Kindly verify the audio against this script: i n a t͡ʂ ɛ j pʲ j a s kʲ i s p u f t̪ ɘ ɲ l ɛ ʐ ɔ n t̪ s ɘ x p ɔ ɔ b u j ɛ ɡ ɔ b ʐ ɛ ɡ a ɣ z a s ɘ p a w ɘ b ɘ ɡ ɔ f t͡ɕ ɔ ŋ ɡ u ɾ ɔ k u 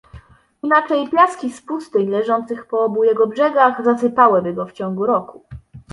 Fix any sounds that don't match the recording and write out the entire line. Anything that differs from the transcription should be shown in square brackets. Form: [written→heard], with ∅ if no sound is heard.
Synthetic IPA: i n a t͡ʂ ɛ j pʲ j a s kʲ i s p u [f→s] t̪ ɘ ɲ l ɛ ʐ ɔ n t̪ s ɘ x p ɔ ɔ b u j ɛ ɡ ɔ b ʐ ɛ ɡ a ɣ z a s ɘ p a w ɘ b ɘ ɡ ɔ f t͡ɕ ɔ ŋ ɡ u ɾ ɔ k u